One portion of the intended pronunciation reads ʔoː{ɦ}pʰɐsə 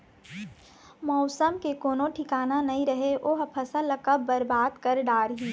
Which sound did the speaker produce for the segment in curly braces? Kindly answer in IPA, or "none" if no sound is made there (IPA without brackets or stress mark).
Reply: ɦ